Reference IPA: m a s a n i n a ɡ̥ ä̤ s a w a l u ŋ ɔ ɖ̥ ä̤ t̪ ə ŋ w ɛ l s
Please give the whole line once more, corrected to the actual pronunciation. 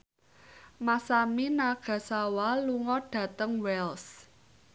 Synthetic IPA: m a s a m i n a ɡ̥ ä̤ s a w a l u ŋ ɔ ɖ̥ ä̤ t̪ ə ŋ w ɛ l s